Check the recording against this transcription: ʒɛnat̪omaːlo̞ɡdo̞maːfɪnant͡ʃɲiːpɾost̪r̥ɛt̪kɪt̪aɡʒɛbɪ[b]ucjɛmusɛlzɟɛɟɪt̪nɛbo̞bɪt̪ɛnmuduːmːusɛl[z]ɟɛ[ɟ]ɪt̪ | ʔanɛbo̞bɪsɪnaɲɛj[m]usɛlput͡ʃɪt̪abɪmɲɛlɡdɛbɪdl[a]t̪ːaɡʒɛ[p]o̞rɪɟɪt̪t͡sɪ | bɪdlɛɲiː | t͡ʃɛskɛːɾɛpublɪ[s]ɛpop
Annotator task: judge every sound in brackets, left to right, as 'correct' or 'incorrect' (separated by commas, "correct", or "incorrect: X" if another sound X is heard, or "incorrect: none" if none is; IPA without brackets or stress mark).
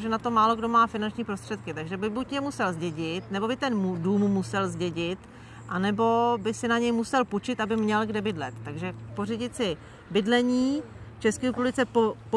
correct, correct, correct, correct, incorrect: ɛ, correct, incorrect: t͡s